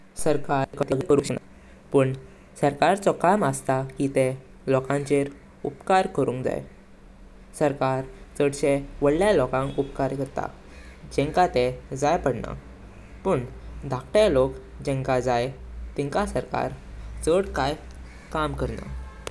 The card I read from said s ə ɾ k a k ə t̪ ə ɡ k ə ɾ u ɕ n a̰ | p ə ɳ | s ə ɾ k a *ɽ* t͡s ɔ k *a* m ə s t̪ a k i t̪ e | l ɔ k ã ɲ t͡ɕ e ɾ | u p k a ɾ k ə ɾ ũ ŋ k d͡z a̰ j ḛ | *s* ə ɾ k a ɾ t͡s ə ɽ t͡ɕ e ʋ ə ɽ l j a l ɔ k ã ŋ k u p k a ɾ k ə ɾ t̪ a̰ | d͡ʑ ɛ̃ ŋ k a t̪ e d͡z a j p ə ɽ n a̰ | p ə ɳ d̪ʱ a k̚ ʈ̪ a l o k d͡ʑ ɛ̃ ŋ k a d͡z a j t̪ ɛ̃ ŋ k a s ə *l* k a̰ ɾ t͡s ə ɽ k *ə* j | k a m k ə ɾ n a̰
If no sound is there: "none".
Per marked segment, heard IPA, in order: ɾ, a, s, ɾ, a

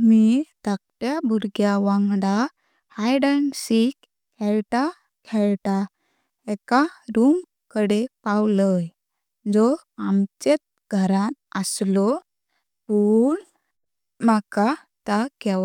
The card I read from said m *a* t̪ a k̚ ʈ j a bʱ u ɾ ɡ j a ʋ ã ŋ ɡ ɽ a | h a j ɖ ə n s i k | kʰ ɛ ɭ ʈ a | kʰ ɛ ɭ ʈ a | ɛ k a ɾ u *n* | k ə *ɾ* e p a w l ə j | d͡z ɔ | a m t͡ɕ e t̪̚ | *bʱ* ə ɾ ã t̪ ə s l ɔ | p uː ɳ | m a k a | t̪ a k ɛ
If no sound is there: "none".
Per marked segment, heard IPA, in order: i, m, ɽ, ɡʱ

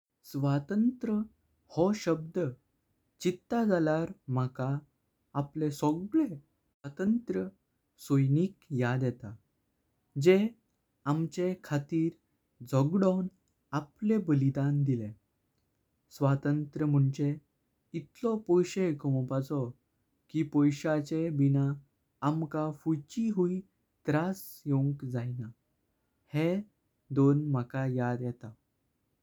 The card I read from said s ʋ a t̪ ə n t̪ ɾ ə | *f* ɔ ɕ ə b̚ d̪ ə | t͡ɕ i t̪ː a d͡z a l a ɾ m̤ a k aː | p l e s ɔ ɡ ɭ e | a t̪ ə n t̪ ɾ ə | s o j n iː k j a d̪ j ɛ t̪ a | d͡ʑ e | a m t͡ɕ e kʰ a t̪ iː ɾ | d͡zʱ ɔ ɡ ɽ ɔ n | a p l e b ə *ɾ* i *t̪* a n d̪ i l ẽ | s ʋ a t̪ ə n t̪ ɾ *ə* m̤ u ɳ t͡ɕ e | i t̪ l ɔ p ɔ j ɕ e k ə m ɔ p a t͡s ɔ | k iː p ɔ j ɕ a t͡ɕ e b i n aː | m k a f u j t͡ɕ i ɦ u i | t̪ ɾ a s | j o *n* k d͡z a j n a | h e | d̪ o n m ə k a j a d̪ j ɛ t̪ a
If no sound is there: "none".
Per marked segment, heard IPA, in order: h, l, d̪, ə, ŋ

